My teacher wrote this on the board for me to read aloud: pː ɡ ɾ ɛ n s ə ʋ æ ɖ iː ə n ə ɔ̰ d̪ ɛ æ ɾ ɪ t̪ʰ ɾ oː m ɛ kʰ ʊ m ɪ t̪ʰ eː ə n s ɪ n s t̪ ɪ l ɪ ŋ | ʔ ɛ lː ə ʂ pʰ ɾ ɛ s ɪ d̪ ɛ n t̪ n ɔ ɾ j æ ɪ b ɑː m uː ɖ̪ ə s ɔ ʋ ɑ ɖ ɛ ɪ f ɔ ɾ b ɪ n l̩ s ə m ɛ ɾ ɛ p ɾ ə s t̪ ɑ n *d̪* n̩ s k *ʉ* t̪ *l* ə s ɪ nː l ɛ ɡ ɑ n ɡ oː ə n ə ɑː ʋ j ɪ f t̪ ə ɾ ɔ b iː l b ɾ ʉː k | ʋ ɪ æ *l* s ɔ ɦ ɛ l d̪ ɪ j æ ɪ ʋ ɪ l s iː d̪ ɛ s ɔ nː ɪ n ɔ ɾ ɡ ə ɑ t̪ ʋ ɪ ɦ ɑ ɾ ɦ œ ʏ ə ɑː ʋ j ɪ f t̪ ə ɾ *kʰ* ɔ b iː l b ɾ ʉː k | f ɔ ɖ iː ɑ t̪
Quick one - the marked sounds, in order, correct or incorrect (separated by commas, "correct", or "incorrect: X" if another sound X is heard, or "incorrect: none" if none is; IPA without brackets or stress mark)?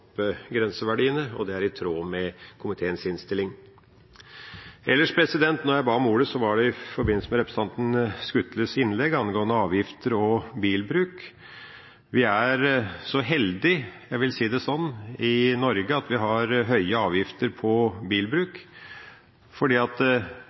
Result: incorrect: t̪, correct, correct, incorrect: ɾ, incorrect: pʰ